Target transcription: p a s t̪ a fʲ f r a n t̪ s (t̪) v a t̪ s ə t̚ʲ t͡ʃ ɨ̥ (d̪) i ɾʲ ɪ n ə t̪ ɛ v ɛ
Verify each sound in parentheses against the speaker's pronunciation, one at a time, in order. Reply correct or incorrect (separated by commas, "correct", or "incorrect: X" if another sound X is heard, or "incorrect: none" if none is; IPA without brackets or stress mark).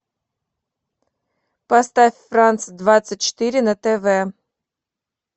incorrect: d̪, incorrect: t̪